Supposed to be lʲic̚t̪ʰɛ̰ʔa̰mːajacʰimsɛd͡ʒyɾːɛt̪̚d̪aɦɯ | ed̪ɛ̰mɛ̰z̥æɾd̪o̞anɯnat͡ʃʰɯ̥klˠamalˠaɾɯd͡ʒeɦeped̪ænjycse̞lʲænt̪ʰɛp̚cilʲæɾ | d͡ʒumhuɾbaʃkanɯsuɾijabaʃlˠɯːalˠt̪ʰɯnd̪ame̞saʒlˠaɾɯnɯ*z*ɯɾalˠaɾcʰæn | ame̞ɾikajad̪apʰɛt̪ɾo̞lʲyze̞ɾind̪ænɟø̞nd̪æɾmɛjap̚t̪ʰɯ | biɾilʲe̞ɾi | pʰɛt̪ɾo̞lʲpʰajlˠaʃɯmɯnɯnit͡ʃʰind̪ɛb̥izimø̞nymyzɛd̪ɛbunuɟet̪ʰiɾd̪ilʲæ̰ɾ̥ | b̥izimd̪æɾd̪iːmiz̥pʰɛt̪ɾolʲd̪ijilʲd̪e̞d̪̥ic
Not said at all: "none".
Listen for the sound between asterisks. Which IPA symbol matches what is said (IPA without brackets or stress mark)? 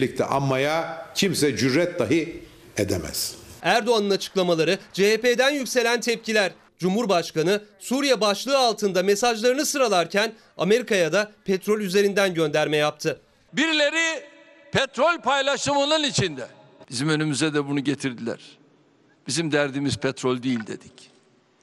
s